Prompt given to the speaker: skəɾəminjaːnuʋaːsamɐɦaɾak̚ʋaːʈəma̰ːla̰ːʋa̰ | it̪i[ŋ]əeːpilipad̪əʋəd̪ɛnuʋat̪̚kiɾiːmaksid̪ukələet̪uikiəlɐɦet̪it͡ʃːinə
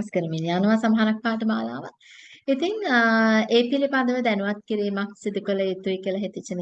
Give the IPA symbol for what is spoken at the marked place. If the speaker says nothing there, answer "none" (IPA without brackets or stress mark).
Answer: ŋ